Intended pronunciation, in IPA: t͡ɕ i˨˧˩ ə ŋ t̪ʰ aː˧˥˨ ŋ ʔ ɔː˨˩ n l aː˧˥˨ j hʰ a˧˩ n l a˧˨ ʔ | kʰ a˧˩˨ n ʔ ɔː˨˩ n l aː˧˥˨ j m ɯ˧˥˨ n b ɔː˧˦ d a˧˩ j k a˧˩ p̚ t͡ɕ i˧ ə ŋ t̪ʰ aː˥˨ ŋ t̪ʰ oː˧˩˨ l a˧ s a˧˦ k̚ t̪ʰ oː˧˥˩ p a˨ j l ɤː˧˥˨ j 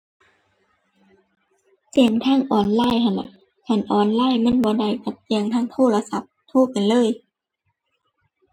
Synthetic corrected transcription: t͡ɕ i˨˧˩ ə ŋ t̪ʰ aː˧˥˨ ŋ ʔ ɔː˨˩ n l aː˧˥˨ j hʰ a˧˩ n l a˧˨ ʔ | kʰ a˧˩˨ n ʔ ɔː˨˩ n l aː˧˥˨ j m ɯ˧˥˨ n b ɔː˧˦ d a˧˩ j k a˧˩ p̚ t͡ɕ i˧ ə ŋ t̪ʰ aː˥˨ ŋ t̪ʰ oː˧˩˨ l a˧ s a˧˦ p̚ t̪ʰ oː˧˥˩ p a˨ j l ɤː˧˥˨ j

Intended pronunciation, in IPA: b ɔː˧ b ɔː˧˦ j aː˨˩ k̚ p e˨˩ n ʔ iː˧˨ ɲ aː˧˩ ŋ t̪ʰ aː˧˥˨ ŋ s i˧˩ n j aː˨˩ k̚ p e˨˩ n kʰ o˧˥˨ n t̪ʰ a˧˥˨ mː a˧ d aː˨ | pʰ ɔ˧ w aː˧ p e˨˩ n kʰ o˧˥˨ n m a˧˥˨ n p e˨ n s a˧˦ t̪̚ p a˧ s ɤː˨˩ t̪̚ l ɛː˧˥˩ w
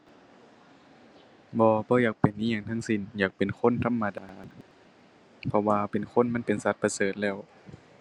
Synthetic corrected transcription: b ɔː˧ b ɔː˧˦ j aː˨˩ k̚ p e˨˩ n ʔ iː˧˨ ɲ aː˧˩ ŋ t̪ʰ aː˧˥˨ ŋ s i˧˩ n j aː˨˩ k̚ p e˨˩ n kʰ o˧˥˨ n t̪ʰ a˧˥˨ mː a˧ d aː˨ | pʰ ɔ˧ w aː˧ p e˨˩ n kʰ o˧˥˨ n m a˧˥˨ n p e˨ n s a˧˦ t̪̚ p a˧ s ɤː˨˩ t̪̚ l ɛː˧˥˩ w

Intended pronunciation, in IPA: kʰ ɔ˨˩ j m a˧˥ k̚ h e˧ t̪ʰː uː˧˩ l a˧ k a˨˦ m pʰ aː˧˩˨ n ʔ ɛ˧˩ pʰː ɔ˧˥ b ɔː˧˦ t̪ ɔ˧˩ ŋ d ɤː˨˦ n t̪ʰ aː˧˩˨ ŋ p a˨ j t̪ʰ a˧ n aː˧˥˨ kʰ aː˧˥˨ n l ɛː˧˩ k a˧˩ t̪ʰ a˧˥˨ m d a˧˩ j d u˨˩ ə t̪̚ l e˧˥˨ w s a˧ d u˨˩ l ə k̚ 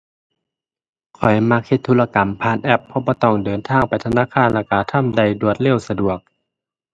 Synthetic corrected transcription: kʰ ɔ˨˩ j m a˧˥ k̚ h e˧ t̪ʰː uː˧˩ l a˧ k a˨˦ m pʰ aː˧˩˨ n ʔ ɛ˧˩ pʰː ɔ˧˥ b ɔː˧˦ t̪ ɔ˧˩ ŋ d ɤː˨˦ n t̪ʰ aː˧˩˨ ŋ p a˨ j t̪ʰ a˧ n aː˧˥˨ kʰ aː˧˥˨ n l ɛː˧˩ k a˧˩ t̪ʰ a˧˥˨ m d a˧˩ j d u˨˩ ə t̪̚ l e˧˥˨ w s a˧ d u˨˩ ə k̚

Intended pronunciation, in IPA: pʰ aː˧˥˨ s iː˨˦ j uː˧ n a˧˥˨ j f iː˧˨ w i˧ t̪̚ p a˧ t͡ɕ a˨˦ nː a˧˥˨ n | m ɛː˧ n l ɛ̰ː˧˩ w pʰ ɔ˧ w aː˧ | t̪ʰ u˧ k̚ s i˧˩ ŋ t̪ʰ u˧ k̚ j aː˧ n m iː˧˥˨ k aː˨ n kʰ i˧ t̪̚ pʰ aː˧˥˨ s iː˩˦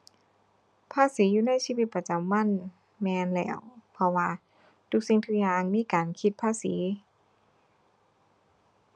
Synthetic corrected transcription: pʰ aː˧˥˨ s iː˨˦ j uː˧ n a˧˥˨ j s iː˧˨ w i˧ t̪̚ p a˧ t͡ɕ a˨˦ mː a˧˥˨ n | m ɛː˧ n l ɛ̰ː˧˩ w pʰ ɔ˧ w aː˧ | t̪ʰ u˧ k̚ s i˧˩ ŋ t̪ʰ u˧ k̚ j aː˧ ŋ m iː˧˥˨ k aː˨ n kʰ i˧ t̪̚ pʰ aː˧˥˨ s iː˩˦

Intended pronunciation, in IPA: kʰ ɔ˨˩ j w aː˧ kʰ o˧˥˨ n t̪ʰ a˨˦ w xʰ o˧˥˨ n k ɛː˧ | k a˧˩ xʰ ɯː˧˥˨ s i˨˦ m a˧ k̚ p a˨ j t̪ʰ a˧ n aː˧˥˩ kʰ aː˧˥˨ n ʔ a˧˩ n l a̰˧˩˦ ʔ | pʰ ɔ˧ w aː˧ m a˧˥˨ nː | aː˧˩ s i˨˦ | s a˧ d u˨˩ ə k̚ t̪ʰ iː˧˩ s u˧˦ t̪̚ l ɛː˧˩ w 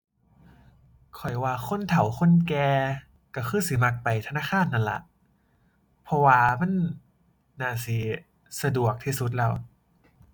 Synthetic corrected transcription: kʰ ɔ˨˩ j w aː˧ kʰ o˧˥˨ n t̪ʰ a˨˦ w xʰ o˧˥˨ n k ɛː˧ | k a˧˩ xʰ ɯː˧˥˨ s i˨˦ m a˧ k̚ p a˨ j t̪ʰ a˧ n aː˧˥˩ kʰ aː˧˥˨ n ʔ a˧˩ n l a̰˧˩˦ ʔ | pʰ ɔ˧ w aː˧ m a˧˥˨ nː | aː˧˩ s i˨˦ | s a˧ d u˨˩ ə k̚ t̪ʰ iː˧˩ s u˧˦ t̪̚ l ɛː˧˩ w

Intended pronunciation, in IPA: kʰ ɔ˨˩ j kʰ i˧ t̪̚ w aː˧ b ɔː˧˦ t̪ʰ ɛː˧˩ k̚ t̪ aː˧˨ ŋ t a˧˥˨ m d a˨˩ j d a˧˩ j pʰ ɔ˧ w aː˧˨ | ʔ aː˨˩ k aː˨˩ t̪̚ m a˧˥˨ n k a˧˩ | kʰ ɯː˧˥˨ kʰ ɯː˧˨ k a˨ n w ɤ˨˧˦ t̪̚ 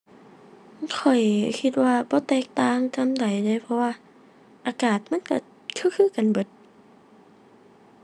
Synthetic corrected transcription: kʰ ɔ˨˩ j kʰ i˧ t̪̚ w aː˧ b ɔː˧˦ t̪ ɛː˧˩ k̚ t̪ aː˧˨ ŋ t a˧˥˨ m d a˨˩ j d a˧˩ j pʰ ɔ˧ w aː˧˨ | ʔ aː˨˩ k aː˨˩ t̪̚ m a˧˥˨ n k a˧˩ | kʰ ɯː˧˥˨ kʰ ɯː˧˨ k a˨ n b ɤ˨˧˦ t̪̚

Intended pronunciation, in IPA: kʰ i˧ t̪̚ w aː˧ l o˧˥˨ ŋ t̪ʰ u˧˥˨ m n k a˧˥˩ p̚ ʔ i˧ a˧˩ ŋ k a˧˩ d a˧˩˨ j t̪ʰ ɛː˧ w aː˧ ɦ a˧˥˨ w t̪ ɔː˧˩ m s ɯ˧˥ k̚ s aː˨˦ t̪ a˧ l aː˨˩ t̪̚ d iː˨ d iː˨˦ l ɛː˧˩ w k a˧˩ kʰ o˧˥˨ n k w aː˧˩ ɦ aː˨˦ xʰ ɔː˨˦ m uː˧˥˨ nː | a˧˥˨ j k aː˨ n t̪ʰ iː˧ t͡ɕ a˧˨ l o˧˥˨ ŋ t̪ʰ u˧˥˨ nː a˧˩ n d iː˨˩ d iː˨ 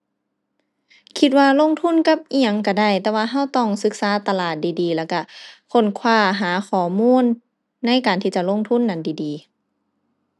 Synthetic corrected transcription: kʰ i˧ t̪̚ w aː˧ l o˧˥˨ ŋ t̪ʰ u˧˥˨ n k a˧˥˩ p̚ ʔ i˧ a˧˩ ŋ k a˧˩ d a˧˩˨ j t̪ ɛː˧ w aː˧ ɦ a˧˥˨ w t̪ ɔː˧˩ ŋ s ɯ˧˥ k̚ s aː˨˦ t̪ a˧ l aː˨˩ t̪̚ d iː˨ d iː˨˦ l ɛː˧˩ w k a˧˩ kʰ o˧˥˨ n kʰ w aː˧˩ ɦ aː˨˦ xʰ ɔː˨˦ m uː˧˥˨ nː | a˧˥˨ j k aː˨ n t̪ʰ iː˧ t͡ɕ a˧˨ l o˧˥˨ ŋ t̪ʰ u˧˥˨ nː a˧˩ n d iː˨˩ d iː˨

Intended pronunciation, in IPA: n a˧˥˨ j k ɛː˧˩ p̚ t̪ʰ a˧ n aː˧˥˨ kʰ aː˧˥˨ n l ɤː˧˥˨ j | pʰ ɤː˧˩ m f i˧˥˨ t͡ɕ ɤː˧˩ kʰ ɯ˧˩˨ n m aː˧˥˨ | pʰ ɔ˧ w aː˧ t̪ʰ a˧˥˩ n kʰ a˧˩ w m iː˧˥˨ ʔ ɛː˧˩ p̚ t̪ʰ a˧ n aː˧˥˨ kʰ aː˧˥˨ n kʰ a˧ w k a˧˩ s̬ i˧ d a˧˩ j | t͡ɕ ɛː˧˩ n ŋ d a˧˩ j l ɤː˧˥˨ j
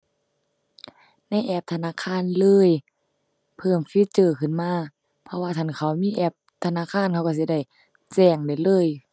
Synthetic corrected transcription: n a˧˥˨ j ʔ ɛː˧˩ p̚ t̪ʰ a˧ n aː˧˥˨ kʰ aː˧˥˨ n l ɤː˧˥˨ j | pʰ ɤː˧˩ m f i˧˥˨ t͡ɕ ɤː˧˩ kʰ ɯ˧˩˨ n m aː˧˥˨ | pʰ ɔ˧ w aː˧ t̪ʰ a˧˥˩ n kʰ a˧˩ w m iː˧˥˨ ʔ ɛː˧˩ p̚ t̪ʰ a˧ n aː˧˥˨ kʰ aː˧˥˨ n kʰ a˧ w k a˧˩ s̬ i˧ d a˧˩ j | t͡ɕ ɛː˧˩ ŋ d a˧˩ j l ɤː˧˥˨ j

